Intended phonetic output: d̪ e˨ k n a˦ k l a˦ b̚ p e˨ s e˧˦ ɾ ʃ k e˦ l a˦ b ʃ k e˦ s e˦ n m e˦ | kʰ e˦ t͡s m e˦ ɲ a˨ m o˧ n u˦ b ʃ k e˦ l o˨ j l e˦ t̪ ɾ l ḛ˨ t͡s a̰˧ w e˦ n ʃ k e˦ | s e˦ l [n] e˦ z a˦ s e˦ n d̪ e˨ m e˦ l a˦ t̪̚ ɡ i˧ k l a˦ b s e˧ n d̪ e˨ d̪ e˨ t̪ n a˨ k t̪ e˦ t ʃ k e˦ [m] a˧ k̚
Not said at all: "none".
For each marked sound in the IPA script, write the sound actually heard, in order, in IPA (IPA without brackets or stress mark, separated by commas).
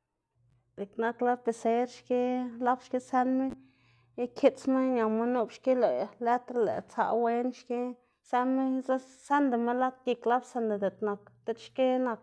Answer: m, n